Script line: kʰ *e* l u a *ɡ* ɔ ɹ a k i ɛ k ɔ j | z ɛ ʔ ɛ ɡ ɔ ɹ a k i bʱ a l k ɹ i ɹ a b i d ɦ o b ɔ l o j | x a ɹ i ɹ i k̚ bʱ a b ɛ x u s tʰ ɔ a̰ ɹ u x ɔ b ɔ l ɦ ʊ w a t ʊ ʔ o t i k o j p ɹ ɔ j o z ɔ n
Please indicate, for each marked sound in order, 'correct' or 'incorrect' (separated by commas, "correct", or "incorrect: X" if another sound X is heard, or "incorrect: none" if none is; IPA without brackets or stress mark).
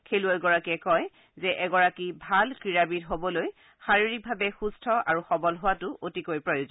correct, correct